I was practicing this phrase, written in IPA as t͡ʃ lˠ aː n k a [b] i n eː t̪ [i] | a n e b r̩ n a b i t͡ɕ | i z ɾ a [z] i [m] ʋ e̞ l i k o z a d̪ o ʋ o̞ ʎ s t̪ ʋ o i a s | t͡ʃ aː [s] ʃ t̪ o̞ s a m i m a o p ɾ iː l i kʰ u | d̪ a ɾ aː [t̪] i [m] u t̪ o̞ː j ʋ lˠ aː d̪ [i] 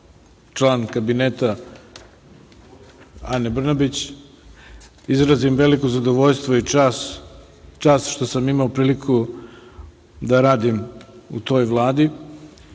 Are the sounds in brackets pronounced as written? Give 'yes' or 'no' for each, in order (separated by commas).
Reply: yes, no, yes, yes, yes, no, yes, yes